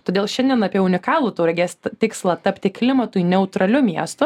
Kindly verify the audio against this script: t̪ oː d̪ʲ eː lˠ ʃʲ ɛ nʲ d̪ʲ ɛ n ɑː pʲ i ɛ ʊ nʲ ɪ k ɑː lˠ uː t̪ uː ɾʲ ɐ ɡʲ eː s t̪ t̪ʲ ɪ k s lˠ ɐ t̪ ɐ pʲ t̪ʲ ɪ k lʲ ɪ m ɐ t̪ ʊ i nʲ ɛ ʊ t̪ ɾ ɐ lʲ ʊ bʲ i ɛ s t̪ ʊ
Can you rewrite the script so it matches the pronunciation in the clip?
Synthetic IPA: t̪ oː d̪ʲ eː lˠ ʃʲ ɛ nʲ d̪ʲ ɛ n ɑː pʲ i ɛ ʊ nʲ ɪ k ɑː lˠ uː t̪ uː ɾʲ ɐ ɡʲ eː s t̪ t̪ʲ ɪ k s lˠ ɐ t̪ ɐ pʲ t̪ʲ ɪ k lʲ ɪ m ɐ t̪ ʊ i nʲ ɛ ʊ t̪ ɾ ɐ lʲ ʊ mʲ i ɛ s t̪ ʊ